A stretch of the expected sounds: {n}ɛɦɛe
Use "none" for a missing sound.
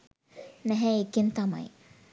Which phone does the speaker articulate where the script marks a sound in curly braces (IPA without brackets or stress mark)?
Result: n